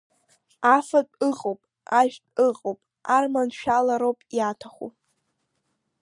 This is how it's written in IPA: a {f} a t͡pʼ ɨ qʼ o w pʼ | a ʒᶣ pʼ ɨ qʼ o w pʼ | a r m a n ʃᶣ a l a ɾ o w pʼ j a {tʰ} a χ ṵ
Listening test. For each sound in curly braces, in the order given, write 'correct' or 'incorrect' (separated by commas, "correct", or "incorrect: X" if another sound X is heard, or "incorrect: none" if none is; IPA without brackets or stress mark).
correct, correct